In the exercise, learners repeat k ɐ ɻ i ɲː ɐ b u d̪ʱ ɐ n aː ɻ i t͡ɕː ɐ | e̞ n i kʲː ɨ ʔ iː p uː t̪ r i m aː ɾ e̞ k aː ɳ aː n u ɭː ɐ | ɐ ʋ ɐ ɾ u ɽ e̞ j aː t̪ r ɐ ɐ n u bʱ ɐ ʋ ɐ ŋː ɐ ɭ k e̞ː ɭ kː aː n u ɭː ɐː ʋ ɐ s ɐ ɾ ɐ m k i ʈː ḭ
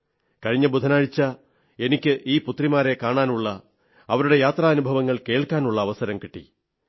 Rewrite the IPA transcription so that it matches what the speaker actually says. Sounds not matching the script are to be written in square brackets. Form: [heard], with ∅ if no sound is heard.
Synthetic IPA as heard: k ɐ ɻ i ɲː ɐ b u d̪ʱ ɐ n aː ɻ i t͡ɕː ɐ | e̞ n i kʲː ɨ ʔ iː p [u] t̪ r i m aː ɾ e̞ k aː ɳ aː n u ɭː ɐ | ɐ ʋ ɐ ɾ u ɽ e̞ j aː t̪ r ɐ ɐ n u bʱ ɐ ʋ ɐ ŋː ɐ ɭ k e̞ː ɭ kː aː n u ɭː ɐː ʋ ɐ s ɐ ɾ ɐ m k i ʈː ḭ

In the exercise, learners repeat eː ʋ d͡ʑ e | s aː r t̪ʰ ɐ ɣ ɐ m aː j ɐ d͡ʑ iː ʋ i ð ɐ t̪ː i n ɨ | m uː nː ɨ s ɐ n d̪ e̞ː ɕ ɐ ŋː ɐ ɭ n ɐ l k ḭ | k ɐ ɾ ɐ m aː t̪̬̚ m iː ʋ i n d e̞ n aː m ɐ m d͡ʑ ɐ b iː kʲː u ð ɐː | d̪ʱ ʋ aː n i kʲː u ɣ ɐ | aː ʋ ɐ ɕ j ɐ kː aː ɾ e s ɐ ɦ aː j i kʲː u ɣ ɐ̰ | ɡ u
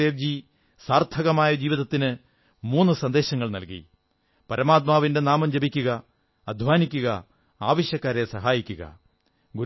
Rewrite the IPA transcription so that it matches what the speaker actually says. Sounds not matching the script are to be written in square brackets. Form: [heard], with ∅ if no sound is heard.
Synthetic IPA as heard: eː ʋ d͡ʑ [i] | s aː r t̪ʰ ɐ ɣ ɐ m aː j ɐ d͡ʑ iː ʋ i ð ɐ t̪ː i n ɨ | m uː nː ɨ s ɐ n d̪ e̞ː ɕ ɐ ŋː ɐ ɭ n ɐ l k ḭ | [p] ɐ ɾ ɐ m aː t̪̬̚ m [aː] ʋ i n d e̞ n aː m ɐ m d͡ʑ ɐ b [i] kʲː u [ɣ] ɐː | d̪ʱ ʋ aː n i kʲː u ɣ ɐ | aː ʋ ɐ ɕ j ɐ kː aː ɾ e s ɐ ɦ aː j i kʲː u ɣ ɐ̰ | ɡ u

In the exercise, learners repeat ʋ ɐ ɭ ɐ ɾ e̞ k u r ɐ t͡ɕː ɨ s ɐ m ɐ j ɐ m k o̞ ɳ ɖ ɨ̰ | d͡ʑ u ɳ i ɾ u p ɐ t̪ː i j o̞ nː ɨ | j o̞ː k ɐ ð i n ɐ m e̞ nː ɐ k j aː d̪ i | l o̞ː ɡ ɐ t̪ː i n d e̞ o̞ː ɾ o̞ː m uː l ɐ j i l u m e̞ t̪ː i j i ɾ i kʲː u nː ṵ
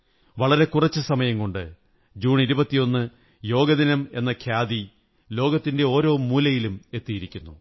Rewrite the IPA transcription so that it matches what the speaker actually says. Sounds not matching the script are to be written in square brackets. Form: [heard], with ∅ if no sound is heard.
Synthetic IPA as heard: ʋ ɐ ɭ ɐ ɾ e̞ k u r ɐ t͡ɕː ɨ s ɐ m ɐ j ɐ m k o̞ ɳ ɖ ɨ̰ | d͡ʑ [uː] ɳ i ɾ u [b] ɐ t̪ː i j o̞ nː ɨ | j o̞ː [ɡ] ɐ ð i n ɐ m e̞ nː ɐ [kʰ] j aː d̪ i | l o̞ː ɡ ɐ t̪ː i n d e̞ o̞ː ɾ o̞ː m uː l ɐ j i l u m e̞ t̪ː i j i ɾ i kʲː u nː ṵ

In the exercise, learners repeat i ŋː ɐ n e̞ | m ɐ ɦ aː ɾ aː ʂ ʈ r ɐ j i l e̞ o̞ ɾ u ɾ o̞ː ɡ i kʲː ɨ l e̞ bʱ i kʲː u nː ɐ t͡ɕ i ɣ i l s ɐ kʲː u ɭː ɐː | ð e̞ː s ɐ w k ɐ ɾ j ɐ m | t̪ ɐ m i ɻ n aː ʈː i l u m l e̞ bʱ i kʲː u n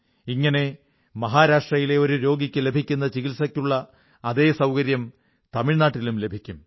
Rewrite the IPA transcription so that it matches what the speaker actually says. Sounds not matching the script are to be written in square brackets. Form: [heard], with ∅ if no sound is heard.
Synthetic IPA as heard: i ŋː ɐ n e̞ | m ɐ ɦ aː ɾ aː ʂ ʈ r ɐ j i l e̞ o̞ ɾ u ɾ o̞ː ɡ i kʲː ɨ l e̞ bʱ i kʲː u nː ɐ t͡ɕ i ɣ i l s ɐ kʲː u ɭː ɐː | ð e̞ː s ɐ w k ɐ ɾ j ɐ m | t̪ ɐ m i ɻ n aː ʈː i l u m l e̞ bʱ i kʲː u [m]

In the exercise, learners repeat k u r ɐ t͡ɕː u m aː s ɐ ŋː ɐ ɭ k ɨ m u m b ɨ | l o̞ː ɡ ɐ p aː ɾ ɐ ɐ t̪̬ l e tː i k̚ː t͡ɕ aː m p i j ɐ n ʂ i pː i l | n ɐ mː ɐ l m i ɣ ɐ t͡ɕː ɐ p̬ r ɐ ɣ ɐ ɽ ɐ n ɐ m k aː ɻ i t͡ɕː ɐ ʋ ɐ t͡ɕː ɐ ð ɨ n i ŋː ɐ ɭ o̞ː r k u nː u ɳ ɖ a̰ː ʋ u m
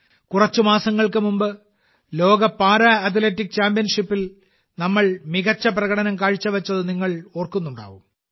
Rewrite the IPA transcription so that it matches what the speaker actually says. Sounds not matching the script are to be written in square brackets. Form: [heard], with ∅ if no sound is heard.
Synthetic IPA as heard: k u r ɐ t͡ɕː u m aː s ɐ ŋː ɐ ɭ k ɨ m u m b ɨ | l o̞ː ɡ ɐ p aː ɾ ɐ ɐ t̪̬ l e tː i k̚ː t͡ɕ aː m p i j ɐ n ʂ i pː i l | n ɐ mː ɐ [ɭ] m i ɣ ɐ t͡ɕː ɐ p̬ r ɐ ɣ ɐ ɽ ɐ n ɐ m k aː ɻ i t͡ɕː ɐ ʋ ɐ t͡ɕː ɐ ð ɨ n i ŋː ɐ ɭ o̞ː r k u nː u ɳ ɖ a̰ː ʋ u m

